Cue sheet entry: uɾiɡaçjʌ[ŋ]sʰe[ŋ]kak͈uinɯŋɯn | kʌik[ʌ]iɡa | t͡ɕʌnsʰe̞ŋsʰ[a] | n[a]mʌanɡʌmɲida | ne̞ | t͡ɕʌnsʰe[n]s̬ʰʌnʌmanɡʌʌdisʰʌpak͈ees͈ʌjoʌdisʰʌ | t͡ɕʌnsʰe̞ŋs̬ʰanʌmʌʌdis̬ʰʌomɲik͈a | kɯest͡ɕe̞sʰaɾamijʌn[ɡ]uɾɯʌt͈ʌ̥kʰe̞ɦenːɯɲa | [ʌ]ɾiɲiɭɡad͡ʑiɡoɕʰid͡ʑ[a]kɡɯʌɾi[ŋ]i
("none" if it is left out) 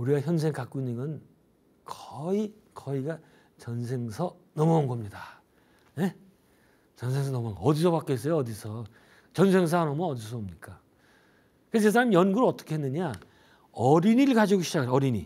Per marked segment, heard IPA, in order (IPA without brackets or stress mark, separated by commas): n, ŋ, ʌ, ʌ, ʌ, ŋ, ɡ, ʌ, a, ɲ